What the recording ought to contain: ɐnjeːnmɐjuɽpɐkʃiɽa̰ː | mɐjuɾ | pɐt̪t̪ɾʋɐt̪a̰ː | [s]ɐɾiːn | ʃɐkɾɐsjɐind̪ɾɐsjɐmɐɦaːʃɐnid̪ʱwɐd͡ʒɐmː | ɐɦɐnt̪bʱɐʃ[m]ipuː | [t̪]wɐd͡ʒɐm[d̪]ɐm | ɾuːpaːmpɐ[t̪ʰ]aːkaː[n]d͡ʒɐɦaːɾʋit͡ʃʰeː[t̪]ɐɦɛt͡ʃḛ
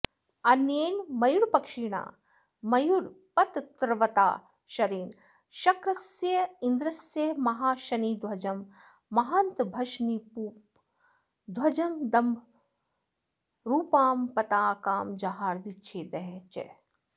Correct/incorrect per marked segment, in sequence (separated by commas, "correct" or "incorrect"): incorrect, incorrect, incorrect, correct, incorrect, incorrect, incorrect